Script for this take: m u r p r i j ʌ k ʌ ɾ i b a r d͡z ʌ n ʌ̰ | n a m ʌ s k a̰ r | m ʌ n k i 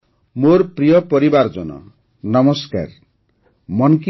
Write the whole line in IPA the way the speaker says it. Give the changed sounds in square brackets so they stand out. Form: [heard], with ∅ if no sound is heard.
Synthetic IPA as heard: m [o] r p r i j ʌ [p] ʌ ɾ i b a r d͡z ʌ n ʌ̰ | n [ʌ] m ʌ s k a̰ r | m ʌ n k i